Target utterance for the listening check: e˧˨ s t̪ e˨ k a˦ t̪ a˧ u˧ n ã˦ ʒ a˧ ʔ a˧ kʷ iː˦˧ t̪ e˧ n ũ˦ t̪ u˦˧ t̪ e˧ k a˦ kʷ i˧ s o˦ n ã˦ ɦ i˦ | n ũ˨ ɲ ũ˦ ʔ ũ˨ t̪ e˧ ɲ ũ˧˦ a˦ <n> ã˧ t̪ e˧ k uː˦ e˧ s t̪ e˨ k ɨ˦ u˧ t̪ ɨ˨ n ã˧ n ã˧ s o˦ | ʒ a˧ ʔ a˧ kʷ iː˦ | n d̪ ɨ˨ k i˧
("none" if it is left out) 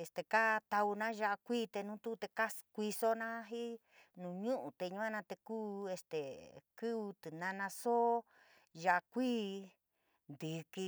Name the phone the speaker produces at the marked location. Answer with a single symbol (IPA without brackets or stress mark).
n